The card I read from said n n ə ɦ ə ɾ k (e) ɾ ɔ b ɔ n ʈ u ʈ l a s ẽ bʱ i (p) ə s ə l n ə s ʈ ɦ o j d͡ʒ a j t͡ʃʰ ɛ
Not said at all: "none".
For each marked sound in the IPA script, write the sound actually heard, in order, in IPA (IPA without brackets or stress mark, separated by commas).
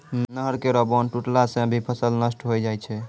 e, pʰ